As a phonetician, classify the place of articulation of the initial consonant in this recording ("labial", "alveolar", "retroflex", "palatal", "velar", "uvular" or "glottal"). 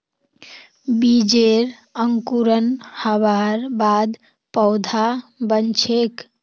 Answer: labial